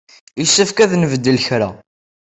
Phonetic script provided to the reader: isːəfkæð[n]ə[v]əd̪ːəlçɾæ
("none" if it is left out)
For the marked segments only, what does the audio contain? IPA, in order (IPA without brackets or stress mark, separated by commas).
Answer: n, v